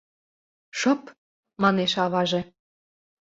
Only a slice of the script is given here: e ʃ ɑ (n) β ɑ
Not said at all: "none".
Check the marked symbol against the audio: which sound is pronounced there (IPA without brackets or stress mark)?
none